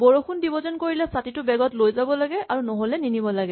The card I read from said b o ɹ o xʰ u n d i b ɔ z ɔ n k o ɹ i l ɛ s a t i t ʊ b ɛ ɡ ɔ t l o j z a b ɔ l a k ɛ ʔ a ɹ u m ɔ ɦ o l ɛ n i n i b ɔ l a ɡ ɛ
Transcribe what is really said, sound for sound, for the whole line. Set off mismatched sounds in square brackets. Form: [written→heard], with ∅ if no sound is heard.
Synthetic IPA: b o ɹ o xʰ u n d i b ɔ z ɔ n k o ɹ i l ɛ s a t i t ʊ b ɛ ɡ ɔ t l o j z a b ɔ l a [k→ɡ] ɛ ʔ a ɹ u [m→n] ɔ ɦ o l ɛ n i n i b ɔ l a ɡ ɛ